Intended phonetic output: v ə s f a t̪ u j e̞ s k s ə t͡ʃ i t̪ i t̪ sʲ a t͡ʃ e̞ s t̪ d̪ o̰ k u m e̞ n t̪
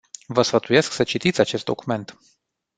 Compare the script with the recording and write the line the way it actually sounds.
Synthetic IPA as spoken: v ə s f ə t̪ u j e̞ s k s ə t͡ʃ i t̪ i t̪ sʲ a t͡ʃ e̞ s t̪ d̪ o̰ k u m e̞ n t̪